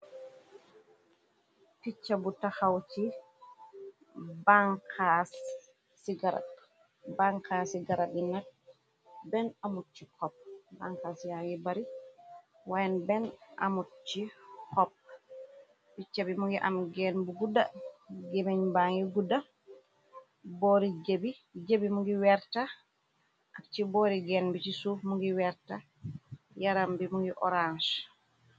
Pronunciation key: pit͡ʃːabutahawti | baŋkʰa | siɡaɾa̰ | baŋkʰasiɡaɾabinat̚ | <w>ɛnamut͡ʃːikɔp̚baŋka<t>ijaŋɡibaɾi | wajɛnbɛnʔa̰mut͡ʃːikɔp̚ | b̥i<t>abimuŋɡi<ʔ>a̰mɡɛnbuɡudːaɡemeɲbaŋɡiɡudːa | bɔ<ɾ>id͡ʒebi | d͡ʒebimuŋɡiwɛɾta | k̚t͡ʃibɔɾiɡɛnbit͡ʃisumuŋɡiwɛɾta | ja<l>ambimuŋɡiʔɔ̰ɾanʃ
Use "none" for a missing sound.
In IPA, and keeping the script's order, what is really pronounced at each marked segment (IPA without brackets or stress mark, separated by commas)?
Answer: b, s, t͡ʃ, ʔ, ɾ, ɾ